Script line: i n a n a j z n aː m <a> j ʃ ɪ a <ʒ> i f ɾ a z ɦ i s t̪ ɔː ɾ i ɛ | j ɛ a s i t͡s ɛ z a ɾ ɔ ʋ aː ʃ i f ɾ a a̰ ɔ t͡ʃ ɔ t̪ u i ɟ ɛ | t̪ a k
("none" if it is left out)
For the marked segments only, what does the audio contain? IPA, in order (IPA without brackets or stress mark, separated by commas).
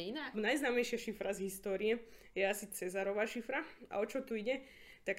ɛ, ʃ